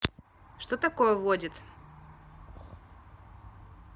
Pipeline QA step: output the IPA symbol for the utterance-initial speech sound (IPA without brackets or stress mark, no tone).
ʂ